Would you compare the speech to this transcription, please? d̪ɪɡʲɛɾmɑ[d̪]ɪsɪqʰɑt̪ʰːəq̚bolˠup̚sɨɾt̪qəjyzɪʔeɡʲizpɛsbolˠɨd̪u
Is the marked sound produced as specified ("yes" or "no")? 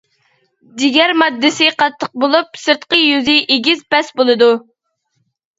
no